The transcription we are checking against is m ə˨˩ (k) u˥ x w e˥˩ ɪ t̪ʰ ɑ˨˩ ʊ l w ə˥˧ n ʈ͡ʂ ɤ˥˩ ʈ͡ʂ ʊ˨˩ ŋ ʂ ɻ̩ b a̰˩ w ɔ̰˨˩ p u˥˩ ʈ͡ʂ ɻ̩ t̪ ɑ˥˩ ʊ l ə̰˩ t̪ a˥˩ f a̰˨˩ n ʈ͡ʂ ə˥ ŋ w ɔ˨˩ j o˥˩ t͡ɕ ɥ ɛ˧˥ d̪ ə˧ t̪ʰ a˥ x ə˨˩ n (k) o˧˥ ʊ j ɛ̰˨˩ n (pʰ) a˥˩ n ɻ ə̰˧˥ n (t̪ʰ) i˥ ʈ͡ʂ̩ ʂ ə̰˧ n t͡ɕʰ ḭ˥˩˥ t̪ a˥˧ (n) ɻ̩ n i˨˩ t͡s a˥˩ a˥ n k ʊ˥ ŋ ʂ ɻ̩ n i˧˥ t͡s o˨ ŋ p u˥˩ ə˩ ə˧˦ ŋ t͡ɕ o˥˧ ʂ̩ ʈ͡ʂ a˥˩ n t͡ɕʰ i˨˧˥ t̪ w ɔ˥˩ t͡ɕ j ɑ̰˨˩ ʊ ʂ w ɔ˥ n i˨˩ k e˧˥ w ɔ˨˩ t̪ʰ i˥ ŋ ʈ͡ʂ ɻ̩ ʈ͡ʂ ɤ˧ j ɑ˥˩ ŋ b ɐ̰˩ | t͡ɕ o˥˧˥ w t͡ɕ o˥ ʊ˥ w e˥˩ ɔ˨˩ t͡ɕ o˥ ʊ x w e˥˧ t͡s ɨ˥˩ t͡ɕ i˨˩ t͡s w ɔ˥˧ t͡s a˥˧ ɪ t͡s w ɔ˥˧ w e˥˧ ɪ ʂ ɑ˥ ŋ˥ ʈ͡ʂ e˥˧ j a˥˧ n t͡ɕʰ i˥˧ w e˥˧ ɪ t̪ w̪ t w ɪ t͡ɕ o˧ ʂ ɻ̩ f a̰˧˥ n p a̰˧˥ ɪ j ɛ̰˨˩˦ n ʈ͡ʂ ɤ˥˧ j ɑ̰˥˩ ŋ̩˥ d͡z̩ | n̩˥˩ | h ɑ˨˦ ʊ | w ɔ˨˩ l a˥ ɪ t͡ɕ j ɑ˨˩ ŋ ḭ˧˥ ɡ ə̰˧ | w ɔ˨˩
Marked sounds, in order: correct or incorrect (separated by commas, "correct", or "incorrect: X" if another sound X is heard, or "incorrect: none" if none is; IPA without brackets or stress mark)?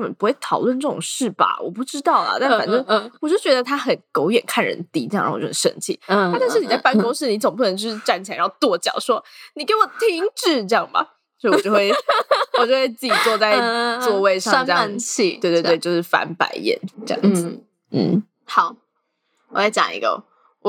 incorrect: p, correct, incorrect: kʰ, incorrect: t̪, correct